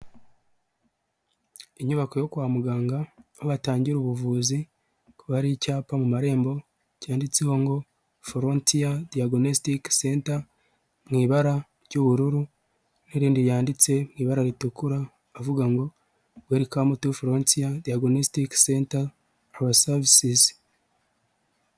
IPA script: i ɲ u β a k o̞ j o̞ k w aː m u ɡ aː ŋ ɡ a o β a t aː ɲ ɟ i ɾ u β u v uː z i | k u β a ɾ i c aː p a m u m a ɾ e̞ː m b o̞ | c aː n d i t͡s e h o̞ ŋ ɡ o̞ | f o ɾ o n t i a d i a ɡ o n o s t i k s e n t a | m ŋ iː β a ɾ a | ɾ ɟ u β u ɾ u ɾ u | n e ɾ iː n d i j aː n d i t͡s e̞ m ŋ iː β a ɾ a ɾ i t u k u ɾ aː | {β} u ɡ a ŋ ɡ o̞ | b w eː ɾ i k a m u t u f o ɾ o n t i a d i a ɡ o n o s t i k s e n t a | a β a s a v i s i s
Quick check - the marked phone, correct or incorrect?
incorrect